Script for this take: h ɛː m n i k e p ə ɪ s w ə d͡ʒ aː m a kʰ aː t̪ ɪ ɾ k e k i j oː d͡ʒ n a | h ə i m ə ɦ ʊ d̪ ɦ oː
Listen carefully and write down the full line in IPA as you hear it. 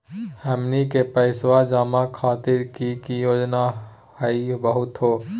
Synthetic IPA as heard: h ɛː m n i k e p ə ɪ s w a d͡ʒ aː m a kʰ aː t̪ ɪ ɾ k i k i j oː d͡ʒ n a | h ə i b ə ɦ ʊ t̪ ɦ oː